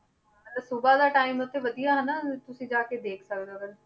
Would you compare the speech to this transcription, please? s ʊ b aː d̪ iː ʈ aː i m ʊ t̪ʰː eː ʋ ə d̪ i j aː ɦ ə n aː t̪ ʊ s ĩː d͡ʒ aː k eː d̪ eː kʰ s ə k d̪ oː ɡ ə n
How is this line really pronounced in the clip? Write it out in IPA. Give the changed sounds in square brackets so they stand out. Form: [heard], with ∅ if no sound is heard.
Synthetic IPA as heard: s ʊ b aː d̪ [aː] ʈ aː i m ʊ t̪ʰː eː ʋ ə d̪ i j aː ɦ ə n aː t̪ ʊ s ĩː d͡ʒ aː k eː d̪ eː kʰ s ə k d̪ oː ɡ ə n